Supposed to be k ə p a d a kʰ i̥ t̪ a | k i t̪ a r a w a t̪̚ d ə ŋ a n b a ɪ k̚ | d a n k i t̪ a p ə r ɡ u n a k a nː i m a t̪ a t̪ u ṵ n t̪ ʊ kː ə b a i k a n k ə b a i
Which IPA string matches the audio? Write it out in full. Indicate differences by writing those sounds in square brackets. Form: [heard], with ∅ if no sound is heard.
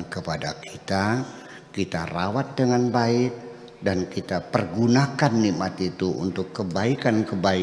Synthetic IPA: k ə p a d a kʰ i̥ t̪ a | k i t̪ a r a w a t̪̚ d ə ŋ a n b a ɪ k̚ | d a n k i t̪ a p ə r ɡ u n a k a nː i m a t̪ [i] t̪ u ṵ n t̪ ʊ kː ə b a i k a n k ə b a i

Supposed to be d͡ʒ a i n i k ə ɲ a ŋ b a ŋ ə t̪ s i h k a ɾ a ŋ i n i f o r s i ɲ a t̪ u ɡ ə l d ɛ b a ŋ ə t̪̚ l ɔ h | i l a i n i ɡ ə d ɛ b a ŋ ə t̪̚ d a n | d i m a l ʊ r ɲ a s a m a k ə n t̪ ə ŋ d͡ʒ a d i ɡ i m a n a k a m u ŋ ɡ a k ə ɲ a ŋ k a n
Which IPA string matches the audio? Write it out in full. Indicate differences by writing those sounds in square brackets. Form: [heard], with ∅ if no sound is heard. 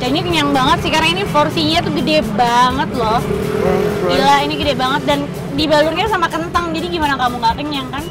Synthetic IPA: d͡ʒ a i n i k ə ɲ a ŋ b a ŋ ə t̪ s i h k a ɾ a ŋ i n i f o r s i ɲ a t̪ u ɡ ə [∅] d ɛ b a ŋ ə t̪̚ l ɔ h | i l a i n i ɡ ə d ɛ b a ŋ ə t̪̚ d a n | d i [b] a l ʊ r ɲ a s a m a k ə n t̪ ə ŋ d͡ʒ a d i ɡ i m a n a k a m u ŋ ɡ a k ə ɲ a ŋ k a n

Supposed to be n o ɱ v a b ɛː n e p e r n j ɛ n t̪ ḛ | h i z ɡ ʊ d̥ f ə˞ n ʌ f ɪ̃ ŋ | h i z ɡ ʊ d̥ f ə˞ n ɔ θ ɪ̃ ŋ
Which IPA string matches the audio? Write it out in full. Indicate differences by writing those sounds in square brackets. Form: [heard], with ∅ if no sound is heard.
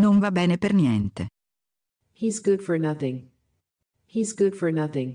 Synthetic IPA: n o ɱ v a b ɛː n e p e r n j ɛ n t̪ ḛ | h i z ɡ ʊ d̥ f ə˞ n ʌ [θ] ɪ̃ ŋ | h i z ɡ ʊ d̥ f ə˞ n [ʌ] θ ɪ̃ ŋ

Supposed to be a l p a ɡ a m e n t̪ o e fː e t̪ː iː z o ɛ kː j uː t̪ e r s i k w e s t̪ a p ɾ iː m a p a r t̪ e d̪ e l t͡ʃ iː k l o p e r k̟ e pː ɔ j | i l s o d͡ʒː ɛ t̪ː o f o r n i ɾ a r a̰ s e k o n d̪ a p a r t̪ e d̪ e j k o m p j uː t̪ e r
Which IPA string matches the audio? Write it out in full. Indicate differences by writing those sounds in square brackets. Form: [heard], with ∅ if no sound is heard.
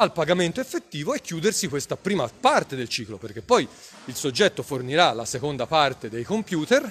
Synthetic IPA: a l p a ɡ a m e n t̪ o e fː e t̪ː iː [v] o ɛ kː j uː [d̪] e r s i k w e s t̪ a p ɾ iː m a p a r t̪ e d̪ e l t͡ʃ iː k l o p e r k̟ e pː ɔ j | i l s o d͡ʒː ɛ t̪ː o f o r n i ɾ a [l] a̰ s e k o n d̪ a p a r t̪ e d̪ e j k o m p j uː t̪ e r

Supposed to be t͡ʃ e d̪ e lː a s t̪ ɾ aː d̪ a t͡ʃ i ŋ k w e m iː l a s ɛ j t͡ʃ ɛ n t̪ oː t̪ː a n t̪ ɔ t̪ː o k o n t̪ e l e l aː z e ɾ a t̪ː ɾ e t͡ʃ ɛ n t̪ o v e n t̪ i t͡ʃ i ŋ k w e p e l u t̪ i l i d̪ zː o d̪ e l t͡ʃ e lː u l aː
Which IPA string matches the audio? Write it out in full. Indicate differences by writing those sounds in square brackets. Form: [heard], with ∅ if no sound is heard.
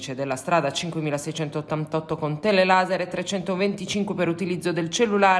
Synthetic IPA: t͡ʃ e d̪ e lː a s t̪ ɾ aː d̪ a t͡ʃ i ŋ k w e m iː l a s ɛ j t͡ʃ ɛ n t̪ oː t̪ː a n t̪ ɔ t̪ː o k o n t̪ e l e l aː z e ɾ [e] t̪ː ɾ e t͡ʃ ɛ n t̪ o v e n t̪ i t͡ʃ i ŋ k w e p e [ɾ] u t̪ i l i d̪ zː o d̪ e l t͡ʃ e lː u l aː

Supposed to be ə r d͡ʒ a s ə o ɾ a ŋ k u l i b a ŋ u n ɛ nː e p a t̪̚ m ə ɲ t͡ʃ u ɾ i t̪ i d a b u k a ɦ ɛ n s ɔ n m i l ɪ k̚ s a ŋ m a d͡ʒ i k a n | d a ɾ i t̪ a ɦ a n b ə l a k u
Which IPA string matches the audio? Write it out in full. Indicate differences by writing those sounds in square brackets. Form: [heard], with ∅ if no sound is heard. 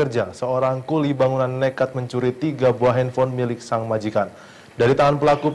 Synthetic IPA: ə r d͡ʒ a s ə o ɾ a ŋ k u l i b a ŋ u n [a] nː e [k] a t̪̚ m ə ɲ t͡ʃ u ɾ i t̪ i [ɡ] a b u [∅] a ɦ ɛ n [f] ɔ n m i l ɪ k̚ s a ŋ m a d͡ʒ i k a n | d a ɾ i t̪ a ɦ a n [p] ə l a k u

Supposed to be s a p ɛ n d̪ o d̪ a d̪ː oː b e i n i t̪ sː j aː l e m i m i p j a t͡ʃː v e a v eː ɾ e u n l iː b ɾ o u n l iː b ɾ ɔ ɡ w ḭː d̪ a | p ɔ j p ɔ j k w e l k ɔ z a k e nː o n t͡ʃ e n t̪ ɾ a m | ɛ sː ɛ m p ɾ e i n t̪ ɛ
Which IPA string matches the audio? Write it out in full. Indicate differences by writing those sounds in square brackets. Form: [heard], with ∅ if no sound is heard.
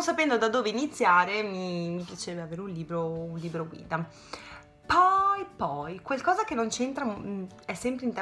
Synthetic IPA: s a p ɛ n d̪ o d̪ a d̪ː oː [v] e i n i t̪ sː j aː [ɾ] e m i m i p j a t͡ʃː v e a v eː ɾ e u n l iː b ɾ o u n l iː b ɾ [o] ɡ w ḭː d̪ a | p ɔ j p ɔ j k w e l k [ɔː] z a k e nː o n t͡ʃ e n t̪ ɾ a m | ɛ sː ɛ m p ɾ e i n t̪ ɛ

